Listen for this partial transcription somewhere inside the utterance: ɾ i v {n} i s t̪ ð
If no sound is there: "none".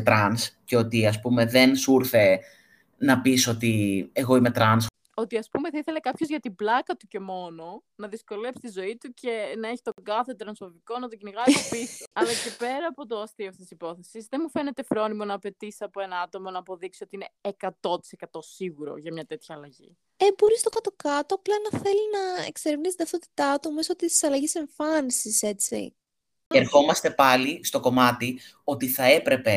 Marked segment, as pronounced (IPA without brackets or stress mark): n